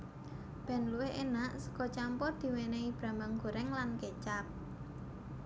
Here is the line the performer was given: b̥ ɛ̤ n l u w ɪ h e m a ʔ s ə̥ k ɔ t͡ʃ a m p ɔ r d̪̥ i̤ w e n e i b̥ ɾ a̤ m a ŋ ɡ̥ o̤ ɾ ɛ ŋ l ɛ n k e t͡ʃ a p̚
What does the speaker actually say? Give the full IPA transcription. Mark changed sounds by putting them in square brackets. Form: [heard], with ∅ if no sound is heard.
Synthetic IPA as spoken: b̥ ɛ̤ n l u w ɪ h e [n] a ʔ s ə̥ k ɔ t͡ʃ a m p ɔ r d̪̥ i̤ w e n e i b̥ ɾ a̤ m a ŋ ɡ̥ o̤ ɾ ɛ ŋ l [a] n k e t͡ʃ a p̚

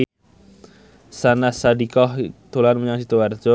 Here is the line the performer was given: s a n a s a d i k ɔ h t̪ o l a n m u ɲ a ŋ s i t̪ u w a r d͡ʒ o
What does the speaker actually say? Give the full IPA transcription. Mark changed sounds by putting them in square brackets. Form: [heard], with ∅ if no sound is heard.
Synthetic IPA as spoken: s a n a s a d i k ɔ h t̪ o l a n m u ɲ a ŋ s i t̪ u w a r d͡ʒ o

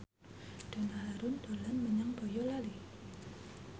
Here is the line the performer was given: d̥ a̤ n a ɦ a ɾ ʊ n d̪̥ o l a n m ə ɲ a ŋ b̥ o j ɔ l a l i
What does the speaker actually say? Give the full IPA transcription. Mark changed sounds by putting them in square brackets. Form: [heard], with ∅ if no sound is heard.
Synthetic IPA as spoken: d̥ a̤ n a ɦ a ɾ ʊ n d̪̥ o l a n m ə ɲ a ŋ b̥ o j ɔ l a l i

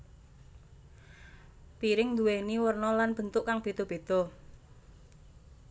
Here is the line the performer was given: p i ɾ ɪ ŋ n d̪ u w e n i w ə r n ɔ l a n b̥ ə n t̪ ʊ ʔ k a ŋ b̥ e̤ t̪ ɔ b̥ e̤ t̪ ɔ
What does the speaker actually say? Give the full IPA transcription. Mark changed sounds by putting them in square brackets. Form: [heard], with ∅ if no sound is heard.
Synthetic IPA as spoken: p i ɾ ɪ ŋ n d̪ u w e n i w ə r n ɔ l a n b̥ ə n t̪ ʊ ʔ k a ŋ b̥ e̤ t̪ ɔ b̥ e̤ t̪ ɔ

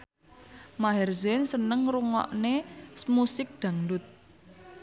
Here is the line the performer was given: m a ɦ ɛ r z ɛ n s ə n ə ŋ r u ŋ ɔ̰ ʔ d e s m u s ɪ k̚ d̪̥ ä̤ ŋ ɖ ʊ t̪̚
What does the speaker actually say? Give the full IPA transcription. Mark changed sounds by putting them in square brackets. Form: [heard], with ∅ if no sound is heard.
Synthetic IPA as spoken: m a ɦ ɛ r z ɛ n s ə n ə ŋ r u ŋ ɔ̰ ʔ [n] e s m u s ɪ k̚ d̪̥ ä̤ ŋ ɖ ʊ t̪̚

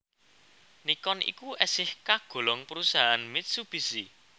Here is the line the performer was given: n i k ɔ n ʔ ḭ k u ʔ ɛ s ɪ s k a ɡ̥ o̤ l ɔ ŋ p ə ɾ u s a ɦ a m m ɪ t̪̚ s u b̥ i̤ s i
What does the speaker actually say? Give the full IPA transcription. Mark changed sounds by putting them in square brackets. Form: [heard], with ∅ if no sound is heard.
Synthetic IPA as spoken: n i k ɔ n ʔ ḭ k u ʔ ɛ s ɪ [h] k a ɡ̥ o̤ l ɔ ŋ p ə ɾ u s a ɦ a [n] m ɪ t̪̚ s u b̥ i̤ s i

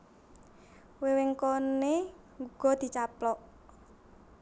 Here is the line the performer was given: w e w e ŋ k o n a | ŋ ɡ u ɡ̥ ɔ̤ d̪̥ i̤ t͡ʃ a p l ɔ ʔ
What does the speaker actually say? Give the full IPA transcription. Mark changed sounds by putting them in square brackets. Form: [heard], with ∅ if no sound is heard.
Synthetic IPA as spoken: w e w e ŋ k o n [e] | ŋ ɡ u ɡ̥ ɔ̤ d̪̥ i̤ t͡ʃ a p l ɔ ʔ

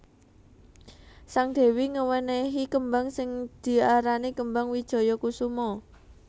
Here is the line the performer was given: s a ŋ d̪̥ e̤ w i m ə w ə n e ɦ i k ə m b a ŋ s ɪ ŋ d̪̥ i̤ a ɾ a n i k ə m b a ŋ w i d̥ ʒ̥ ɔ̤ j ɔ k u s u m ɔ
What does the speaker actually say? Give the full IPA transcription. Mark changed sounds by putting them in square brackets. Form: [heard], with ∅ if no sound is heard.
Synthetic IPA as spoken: s a ŋ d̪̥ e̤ w i [ŋ] ə w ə n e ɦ i k ə m b a ŋ s ɪ ŋ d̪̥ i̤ a ɾ a n i k ə m b a ŋ w i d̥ ʒ̥ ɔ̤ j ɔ k u s u m ɔ

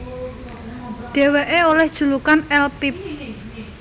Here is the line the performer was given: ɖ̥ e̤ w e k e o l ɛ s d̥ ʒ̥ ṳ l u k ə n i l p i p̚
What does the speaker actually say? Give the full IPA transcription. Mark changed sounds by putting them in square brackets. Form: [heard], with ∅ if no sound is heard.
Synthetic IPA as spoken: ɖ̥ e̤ w e [ʔ] e o l ɛ [h] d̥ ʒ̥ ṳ l u k [a] n [ɛ] l p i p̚

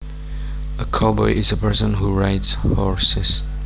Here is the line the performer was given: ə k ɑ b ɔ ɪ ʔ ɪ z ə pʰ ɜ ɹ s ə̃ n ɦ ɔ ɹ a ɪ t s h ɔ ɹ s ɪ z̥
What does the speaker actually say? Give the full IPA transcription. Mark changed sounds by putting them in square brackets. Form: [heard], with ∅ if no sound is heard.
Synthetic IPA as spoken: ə [kʰ] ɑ b ɔ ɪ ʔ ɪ z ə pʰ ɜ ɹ s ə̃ n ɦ [u] ɹ a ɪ t s h ɔ ɹ s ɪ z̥

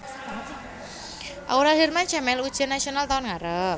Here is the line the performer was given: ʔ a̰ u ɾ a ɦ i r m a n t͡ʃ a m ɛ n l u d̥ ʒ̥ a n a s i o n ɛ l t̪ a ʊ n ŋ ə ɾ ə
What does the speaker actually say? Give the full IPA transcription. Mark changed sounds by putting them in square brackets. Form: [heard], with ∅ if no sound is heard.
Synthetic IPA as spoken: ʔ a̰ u ɾ a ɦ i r m a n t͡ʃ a m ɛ [∅] l u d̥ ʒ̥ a n a s i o n [a] l t̪ a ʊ n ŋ [a] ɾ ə

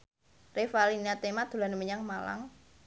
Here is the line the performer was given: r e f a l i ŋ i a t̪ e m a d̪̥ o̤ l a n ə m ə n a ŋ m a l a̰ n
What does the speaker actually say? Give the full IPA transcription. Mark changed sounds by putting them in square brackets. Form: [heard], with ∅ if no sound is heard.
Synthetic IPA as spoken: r e f a l i [n] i a t̪ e m a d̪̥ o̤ l a n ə m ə [ɲ] a ŋ m a l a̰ [ŋ]

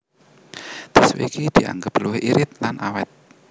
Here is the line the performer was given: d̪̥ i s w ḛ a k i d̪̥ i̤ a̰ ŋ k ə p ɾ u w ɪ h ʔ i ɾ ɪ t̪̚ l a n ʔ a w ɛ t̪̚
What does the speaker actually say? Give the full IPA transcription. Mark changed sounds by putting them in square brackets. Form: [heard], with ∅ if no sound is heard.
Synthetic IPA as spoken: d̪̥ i s w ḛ [i] k i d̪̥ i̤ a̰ ŋ [ɡ] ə p [l] u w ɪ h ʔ i ɾ ɪ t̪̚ l a n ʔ a w ɛ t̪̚

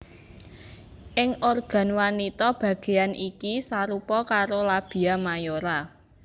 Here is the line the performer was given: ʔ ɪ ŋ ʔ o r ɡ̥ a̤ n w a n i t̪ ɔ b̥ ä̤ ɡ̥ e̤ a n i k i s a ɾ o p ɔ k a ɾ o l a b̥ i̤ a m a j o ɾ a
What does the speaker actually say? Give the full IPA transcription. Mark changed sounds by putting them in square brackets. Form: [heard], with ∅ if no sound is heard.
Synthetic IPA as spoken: ʔ ɪ ŋ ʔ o r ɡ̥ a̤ n w a n i t̪ ɔ b̥ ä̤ ɡ̥ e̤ a n i k i s a ɾ [u] p ɔ k a ɾ o l a b̥ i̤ a m a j o ɾ a

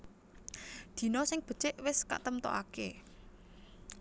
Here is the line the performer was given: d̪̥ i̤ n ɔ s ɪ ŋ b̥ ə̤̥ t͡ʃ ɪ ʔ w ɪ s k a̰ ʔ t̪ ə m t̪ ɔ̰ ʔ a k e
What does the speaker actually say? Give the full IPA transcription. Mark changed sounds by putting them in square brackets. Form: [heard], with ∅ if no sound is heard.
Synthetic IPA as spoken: d̪̥ i̤ n ɔ s ɪ ŋ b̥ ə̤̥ t͡ʃ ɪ ʔ w ɪ s k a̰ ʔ t̪ ə m t̪ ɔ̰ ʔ a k e

